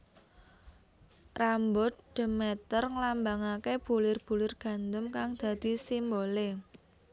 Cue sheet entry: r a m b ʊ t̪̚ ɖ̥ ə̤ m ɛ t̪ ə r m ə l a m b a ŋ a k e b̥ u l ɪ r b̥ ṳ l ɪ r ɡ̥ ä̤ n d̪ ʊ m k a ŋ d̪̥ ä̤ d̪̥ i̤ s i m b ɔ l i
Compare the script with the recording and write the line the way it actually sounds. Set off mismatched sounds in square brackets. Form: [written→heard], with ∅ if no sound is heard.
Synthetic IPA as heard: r a m b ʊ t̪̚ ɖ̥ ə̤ m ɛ t̪ ə r [m→ŋ] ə l a m b a ŋ a k e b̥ u l ɪ r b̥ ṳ l ɪ r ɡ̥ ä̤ n d̪ ʊ m k a ŋ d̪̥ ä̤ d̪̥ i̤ s i m b [ɔ→o] l [i→e]